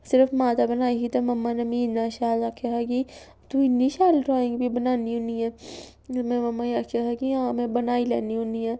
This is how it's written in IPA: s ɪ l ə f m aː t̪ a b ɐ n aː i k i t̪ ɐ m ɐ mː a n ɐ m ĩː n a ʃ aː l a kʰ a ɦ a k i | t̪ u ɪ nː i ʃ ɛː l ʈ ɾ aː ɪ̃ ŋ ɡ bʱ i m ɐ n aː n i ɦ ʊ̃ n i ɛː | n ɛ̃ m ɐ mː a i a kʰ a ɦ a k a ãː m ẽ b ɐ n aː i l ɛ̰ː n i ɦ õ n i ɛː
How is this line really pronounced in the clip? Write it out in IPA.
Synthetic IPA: s ɪ ɾ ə f m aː t̪ a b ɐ n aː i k i t̪ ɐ m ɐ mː a n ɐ m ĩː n a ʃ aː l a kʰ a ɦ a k i | t̪ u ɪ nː i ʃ aː l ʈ ɾ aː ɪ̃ ŋ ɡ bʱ i b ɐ n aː n i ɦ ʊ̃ n i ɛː | m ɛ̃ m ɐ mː a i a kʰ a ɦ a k i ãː m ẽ b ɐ n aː i l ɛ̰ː n i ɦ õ n i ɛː